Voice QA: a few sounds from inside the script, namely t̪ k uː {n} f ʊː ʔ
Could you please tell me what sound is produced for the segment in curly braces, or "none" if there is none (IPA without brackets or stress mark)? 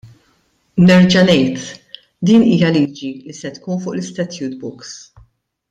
n